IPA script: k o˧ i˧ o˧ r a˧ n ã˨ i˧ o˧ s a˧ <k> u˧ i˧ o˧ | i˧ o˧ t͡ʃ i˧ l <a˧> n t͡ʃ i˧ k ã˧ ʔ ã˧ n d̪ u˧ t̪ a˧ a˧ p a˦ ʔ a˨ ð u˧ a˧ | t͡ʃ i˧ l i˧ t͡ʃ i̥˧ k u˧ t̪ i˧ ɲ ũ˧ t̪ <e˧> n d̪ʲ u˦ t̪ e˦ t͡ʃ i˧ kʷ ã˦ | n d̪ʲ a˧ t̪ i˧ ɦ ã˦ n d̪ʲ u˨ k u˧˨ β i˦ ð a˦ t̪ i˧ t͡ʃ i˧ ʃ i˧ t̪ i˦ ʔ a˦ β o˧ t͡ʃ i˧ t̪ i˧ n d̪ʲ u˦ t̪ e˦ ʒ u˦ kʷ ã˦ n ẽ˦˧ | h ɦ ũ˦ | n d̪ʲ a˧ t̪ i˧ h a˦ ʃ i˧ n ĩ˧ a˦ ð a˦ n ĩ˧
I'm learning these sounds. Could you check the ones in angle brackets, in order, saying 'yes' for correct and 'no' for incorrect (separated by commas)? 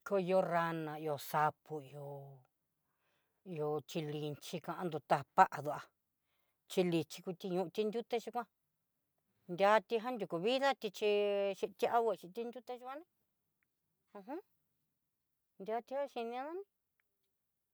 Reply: no, no, no